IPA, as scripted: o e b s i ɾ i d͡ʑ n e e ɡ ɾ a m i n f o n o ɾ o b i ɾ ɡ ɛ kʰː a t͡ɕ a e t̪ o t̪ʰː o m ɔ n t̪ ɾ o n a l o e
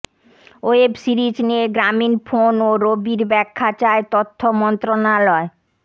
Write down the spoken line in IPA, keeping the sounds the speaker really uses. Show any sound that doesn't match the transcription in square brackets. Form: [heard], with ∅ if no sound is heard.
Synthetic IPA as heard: o e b s i ɾ i d͡ʑ n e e ɡ ɾ a m i n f o n o ɾ o b i ɾ [b] ɛ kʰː a t͡ɕ a e t̪ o t̪ʰː o m ɔ n t̪ ɾ o n a l [ɔ] e